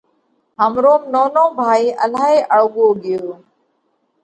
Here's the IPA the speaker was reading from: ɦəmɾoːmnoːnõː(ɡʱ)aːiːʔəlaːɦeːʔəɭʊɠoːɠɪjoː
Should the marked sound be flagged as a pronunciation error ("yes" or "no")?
yes